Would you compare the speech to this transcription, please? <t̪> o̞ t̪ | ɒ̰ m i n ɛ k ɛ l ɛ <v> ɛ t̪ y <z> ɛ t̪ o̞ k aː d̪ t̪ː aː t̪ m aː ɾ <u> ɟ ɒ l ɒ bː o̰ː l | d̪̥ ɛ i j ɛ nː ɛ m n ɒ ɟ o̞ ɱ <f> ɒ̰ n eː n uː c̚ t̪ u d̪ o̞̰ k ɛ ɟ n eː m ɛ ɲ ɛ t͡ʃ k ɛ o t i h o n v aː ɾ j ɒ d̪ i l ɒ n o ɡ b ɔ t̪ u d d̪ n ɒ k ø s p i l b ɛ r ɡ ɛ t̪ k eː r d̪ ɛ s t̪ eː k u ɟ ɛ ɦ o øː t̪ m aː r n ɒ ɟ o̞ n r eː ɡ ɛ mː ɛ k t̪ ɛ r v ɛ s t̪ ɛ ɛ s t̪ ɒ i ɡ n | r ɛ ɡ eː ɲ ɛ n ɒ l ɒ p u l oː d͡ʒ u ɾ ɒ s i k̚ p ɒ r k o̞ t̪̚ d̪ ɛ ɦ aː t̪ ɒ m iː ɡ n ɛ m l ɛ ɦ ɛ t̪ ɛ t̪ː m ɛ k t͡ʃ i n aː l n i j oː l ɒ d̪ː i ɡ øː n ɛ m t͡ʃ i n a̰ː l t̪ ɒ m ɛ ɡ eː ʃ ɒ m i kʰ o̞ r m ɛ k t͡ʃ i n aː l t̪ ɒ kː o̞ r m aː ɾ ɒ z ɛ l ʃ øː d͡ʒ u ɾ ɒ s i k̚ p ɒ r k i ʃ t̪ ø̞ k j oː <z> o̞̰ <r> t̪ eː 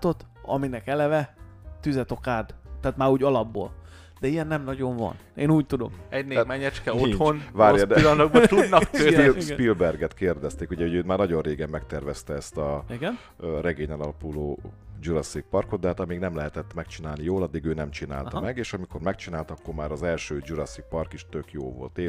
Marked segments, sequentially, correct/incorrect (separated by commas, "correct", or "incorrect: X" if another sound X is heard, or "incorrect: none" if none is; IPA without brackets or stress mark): correct, correct, correct, incorrect: uː, incorrect: v, incorrect: v, incorrect: l